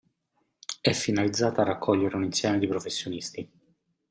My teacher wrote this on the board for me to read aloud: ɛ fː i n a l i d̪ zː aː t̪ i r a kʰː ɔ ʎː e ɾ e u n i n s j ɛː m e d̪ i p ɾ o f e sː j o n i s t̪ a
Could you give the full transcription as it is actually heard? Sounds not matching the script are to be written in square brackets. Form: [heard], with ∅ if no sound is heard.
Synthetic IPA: ɛ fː i n a l i d̪ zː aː t̪ [a] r a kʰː ɔ ʎː e ɾ e u n i n s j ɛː m e d̪ i p ɾ o f e sː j o n i s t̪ [i]

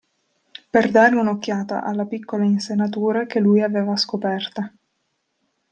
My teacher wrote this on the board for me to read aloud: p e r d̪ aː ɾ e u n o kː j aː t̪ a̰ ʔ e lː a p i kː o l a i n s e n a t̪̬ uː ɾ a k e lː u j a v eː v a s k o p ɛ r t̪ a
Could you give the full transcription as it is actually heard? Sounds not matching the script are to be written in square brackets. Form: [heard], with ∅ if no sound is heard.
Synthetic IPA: p e r d̪ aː ɾ e u n o kː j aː t̪ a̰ ʔ [a] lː a p i kː o l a i n s e n a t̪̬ uː ɾ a k e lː u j a v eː v a s k o p ɛ r t̪ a

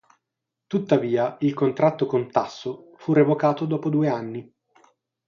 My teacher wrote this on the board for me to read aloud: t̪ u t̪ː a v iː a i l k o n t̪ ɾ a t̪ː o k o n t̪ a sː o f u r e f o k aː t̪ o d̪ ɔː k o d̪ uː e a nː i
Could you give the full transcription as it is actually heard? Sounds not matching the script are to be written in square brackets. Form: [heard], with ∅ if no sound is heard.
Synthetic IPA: t̪ u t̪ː a v iː a i l k o n t̪ ɾ a t̪ː o k o n t̪ a sː o f u r e [v] o k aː t̪ o d̪ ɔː [p] o d̪ uː e a nː i

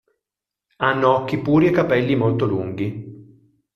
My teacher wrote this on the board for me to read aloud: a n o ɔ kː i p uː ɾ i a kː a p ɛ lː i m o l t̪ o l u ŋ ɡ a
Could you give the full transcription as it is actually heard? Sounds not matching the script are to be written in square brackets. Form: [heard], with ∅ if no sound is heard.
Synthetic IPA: a [nː] o ɔ kː i p uː ɾ i [e] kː a p ɛ lː i m o l t̪ o l u ŋ ɡ [i]

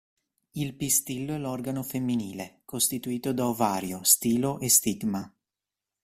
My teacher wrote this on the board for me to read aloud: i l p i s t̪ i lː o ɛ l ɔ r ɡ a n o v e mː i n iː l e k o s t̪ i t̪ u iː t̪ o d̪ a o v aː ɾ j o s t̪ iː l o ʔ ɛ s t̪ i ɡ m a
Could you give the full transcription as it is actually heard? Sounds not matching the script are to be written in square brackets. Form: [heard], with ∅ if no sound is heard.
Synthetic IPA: i l p i s t̪ i lː o ɛ l ɔ r ɡ a n o [f] e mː i n iː l e k o s t̪ i t̪ u iː t̪ o d̪ a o v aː ɾ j o s t̪ iː l o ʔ [e] s t̪ i ɡ m a

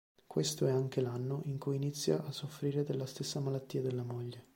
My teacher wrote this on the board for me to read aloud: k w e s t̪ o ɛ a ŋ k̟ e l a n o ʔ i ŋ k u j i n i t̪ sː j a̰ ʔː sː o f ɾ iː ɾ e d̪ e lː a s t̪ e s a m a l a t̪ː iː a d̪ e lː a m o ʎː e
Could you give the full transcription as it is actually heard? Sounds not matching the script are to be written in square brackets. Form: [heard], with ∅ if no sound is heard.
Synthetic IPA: k w e s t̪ o ɛ a ŋ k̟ e l a [nː] o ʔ i ŋ k u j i n i t̪ sː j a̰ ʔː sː o f ɾ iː ɾ e d̪ e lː a s t̪ e [sː] a m a l a t̪ː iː a d̪ e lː a m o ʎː e

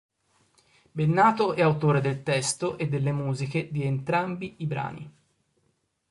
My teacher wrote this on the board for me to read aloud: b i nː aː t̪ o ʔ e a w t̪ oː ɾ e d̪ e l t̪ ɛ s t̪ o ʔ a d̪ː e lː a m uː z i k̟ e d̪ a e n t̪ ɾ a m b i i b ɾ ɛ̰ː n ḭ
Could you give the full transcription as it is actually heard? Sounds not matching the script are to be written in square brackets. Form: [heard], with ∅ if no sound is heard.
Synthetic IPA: b [e] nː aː t̪ o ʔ [ɛ] a w t̪ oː ɾ e d̪ e l t̪ ɛ s t̪ o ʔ [e] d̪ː e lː [e] m uː z i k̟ e d̪ [i] e n t̪ ɾ a m b i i b ɾ [a̰ː] n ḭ

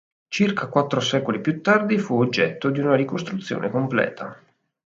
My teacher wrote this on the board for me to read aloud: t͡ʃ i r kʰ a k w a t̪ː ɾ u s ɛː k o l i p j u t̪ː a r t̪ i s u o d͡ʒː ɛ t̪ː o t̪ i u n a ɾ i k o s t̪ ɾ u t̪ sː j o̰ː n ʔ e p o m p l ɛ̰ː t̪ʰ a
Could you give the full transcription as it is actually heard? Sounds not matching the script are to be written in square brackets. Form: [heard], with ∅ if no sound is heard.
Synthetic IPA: t͡ʃ i r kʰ a k w a t̪ː ɾ [o] s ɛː k o l i p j u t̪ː a r [d̪] i [f] u o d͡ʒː ɛ t̪ː o [d̪] i u n a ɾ i k o s t̪ ɾ u t̪ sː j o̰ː n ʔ e [k] o m p l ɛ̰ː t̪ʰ a

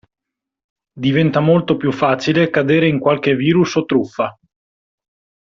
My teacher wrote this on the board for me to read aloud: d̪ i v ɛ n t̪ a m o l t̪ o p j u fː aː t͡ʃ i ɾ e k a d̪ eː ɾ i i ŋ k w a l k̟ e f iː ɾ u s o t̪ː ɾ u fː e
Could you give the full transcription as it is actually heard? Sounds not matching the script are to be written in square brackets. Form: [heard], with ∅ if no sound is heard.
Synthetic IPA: d̪ i v ɛ n t̪ a m o l t̪ o p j u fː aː t͡ʃ i [l] e k a d̪ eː ɾ [e] i ŋ k w a l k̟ e [v] iː ɾ u s o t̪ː ɾ u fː [a]

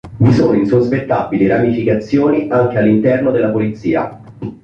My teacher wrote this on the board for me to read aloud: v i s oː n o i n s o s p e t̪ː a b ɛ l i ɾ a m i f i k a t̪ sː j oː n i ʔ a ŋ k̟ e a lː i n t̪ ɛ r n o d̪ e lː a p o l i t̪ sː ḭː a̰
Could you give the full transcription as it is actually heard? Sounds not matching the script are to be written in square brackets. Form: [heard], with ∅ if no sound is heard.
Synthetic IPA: v i s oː n o i n s o s p e t̪ː a b [i] l i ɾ a m i f i k a t̪ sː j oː n i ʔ a ŋ k̟ e a lː i n t̪ ɛ r n o d̪ e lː a p o l i t̪ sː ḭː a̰

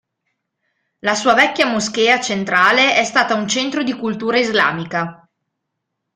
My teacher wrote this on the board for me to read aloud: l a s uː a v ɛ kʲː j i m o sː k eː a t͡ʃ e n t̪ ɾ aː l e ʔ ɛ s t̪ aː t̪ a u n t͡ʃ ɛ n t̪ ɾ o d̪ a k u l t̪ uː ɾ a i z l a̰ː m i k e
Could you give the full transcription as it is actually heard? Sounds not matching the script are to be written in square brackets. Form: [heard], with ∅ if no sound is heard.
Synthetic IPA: l a s uː a v ɛ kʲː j [a] m o [s] k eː a t͡ʃ e n t̪ ɾ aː l e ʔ ɛ s t̪ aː t̪ a u n t͡ʃ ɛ n t̪ ɾ o d̪ [i] k u l t̪ uː ɾ a i z l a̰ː m i k [a]

